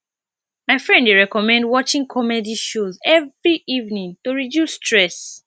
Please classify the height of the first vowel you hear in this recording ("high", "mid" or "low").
low